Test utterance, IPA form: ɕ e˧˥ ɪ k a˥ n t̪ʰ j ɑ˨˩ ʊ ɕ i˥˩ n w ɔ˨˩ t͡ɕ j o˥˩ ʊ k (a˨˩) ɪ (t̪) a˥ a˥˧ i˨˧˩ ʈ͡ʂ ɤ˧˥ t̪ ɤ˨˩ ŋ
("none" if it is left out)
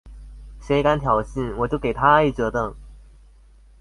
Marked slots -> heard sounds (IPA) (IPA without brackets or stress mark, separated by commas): e˨˩, t̪ʰ